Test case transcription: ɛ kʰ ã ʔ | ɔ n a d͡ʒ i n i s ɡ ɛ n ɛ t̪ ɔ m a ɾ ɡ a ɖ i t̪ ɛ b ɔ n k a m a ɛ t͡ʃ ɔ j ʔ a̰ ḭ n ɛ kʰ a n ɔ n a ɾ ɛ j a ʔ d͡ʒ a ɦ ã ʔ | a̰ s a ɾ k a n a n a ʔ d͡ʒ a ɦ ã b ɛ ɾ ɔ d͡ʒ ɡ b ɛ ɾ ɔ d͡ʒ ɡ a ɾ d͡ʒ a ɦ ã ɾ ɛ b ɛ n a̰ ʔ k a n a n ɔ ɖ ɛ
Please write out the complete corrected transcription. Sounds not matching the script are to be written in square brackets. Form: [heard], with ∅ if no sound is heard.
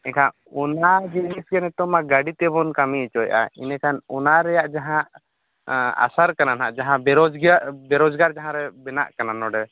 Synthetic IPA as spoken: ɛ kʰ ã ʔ | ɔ n a d͡ʒ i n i s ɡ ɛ n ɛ t̪ ɔ m a [∅] ɡ a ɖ i t̪ ɛ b ɔ n k a m [i] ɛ t͡ʃ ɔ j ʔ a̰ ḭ n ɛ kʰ a n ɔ n a ɾ ɛ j a ʔ d͡ʒ a ɦ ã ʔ | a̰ s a ɾ k a n a n a ʔ d͡ʒ a ɦ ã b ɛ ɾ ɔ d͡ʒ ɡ b ɛ ɾ ɔ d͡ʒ ɡ a ɾ d͡ʒ a ɦ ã ɾ ɛ b ɛ n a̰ ʔ k a n a n ɔ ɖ ɛ